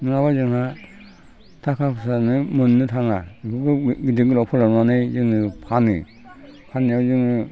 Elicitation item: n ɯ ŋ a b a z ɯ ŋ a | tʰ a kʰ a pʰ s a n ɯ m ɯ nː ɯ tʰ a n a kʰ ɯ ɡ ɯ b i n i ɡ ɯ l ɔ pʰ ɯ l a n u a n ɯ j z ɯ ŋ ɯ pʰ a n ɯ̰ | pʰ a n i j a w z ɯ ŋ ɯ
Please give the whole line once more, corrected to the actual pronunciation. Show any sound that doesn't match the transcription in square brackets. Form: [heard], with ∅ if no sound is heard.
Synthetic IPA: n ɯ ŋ a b a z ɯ ŋ a | tʰ a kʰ a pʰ s a n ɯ m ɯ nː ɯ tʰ a [ŋ] a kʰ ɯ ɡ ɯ [ɡ] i [d] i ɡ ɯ l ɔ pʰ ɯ l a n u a n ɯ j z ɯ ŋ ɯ pʰ a n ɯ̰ | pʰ a n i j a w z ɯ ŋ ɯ